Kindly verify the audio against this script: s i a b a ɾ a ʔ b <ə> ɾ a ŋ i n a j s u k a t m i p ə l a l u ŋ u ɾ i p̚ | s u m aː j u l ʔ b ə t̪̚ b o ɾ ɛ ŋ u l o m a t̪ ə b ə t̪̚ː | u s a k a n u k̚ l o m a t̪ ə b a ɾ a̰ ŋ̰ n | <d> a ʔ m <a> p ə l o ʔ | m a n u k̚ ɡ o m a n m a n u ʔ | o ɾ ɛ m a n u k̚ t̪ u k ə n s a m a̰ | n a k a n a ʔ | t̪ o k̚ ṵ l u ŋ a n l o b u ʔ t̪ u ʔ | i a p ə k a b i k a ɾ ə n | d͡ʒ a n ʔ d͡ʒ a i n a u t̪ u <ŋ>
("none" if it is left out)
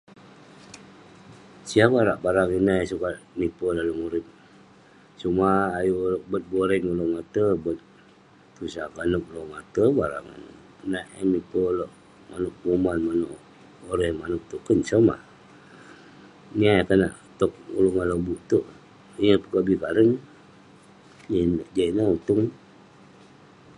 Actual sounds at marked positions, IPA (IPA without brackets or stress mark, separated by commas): a, n, i, ŋ